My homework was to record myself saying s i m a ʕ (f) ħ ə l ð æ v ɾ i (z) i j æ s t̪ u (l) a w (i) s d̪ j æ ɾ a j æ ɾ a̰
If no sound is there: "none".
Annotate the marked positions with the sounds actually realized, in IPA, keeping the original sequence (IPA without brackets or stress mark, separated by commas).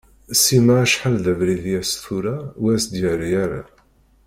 ʃ, ð, ɾ, æ